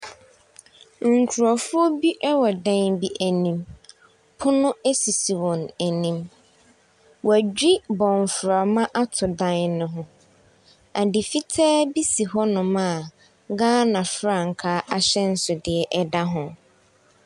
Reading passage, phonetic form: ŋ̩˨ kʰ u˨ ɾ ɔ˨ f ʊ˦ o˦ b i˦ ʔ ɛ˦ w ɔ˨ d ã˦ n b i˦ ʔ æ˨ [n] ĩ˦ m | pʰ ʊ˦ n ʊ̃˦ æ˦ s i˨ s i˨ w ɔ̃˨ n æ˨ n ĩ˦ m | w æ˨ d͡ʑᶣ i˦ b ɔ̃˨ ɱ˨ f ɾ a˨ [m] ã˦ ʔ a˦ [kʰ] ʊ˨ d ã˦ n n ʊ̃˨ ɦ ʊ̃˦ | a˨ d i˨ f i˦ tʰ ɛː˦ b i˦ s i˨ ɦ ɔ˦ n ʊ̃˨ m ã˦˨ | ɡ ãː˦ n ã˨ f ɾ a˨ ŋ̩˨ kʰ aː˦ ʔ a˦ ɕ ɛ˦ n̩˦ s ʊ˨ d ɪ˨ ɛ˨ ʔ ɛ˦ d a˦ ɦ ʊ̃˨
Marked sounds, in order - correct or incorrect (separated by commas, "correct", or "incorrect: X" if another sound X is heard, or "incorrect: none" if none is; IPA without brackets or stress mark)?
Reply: correct, correct, incorrect: tʰ